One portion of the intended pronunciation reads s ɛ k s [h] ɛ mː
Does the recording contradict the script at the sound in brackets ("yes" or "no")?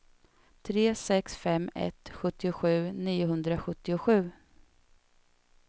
yes